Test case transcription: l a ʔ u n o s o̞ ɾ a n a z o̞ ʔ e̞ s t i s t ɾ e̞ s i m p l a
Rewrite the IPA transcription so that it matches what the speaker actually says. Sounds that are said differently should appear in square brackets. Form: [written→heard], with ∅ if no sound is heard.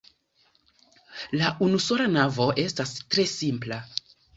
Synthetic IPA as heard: l a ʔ u n [o→u] s o̞ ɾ a n a [z→v] o̞ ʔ e̞ s t [i→a] s t ɾ e̞ s i m p l a